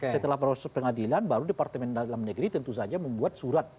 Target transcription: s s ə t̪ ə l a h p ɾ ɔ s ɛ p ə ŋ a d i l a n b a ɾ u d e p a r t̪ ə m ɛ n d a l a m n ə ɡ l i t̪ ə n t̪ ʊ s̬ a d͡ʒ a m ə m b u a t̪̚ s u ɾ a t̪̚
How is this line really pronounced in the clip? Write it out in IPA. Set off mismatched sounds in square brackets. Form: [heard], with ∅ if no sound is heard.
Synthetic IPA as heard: s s ə t̪ ə l a h p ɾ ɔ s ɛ p ə ŋ a d i l a n b a ɾ u d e p a r t̪ ə m ɛ n d a l a m n ə ɡ [ɾ] i t̪ ə n t̪ [u] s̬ a d͡ʒ a m ə m b u a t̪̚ s u ɾ a t̪̚